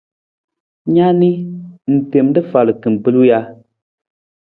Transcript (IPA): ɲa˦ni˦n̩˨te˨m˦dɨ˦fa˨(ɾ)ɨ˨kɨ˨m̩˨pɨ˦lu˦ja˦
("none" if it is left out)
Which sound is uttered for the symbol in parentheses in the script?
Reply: l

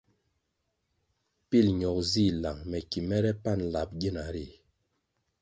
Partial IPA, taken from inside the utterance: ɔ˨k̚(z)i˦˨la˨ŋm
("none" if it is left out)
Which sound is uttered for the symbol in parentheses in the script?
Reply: z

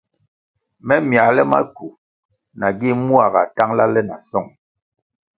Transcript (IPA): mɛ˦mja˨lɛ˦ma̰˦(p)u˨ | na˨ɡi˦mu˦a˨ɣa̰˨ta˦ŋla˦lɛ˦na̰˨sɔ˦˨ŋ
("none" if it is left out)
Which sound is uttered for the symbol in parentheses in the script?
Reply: k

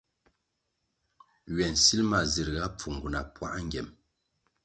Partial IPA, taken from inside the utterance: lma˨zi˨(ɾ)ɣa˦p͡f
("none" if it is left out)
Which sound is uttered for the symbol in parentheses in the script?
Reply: ɾ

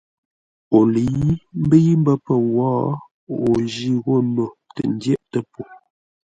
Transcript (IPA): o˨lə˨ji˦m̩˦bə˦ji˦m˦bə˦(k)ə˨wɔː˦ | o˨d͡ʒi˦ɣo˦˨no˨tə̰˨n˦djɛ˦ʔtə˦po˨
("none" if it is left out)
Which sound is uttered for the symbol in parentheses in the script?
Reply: p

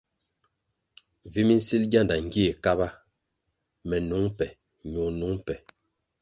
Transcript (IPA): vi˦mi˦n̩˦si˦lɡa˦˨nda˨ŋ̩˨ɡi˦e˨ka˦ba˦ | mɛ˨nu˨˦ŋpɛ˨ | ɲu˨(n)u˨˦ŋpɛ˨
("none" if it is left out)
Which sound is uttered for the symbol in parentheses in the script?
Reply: n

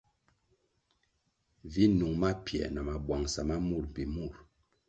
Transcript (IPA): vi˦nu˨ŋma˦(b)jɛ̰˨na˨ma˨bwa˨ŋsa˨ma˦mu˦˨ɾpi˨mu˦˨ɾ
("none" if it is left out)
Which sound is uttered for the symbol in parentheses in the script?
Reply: p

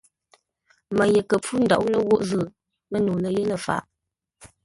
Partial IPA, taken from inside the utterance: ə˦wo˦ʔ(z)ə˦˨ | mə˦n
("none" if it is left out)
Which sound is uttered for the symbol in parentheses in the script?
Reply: z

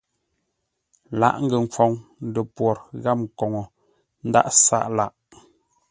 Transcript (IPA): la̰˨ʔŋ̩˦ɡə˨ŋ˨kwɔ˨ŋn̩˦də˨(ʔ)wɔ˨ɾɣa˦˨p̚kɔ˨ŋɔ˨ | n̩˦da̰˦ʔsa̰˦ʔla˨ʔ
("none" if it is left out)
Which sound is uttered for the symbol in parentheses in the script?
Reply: p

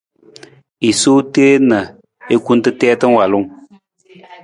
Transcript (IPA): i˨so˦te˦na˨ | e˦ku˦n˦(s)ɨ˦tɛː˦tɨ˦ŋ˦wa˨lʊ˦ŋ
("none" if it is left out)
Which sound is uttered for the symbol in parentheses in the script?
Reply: t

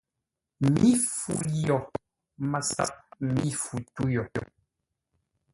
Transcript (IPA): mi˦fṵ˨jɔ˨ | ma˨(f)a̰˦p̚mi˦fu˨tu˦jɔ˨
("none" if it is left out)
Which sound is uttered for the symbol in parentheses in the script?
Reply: s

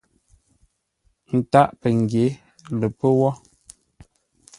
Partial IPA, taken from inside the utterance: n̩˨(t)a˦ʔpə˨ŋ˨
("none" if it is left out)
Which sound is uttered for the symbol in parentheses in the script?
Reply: t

